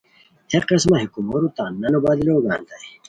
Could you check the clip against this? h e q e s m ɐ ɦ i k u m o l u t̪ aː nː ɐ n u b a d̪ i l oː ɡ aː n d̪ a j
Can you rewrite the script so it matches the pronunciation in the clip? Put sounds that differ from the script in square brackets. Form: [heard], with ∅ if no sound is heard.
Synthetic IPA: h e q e s m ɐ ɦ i k u m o [ɾ] u t̪ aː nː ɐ n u b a d̪ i l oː ɡ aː n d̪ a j